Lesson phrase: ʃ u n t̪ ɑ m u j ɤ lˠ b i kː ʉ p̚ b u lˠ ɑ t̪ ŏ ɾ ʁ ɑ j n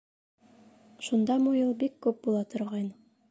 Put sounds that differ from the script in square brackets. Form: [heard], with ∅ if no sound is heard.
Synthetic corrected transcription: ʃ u n [d̪] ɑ m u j ɤ lˠ b i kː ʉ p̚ b u lˠ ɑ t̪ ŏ ɾ ʁ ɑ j n